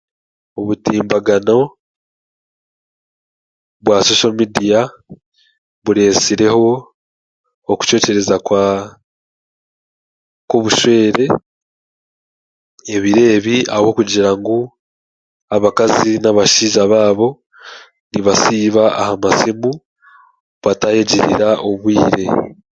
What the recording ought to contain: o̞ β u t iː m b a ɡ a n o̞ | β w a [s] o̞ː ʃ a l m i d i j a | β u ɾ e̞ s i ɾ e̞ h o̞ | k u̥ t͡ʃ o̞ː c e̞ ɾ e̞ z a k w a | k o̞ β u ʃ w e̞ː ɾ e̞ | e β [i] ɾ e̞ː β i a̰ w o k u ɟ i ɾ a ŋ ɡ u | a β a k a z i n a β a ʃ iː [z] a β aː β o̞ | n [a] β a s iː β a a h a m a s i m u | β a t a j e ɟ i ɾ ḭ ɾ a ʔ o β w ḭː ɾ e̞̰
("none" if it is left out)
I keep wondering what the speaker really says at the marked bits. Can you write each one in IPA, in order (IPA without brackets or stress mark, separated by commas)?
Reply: s, i, ʒ, i